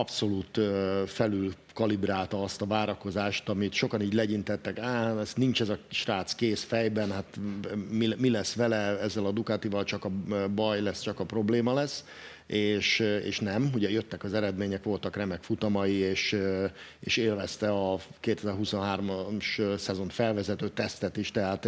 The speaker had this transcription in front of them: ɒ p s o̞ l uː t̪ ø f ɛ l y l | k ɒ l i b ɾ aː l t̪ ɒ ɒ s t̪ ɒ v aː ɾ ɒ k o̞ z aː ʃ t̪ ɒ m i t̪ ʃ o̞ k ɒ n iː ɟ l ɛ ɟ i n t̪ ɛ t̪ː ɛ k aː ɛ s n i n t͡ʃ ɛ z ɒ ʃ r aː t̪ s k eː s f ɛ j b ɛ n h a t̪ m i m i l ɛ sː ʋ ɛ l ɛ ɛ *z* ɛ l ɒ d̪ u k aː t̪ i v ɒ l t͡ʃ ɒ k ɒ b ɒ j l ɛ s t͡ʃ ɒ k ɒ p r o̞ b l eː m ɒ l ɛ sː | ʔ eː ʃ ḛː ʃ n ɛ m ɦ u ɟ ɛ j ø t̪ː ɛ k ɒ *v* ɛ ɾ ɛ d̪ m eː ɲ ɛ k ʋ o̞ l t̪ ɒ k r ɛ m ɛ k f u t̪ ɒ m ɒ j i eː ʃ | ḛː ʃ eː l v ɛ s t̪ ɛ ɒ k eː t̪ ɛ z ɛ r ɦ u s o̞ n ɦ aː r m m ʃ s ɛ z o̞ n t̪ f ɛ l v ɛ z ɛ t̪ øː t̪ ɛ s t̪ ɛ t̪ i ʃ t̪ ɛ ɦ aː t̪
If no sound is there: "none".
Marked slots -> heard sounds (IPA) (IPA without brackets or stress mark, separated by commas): zː, z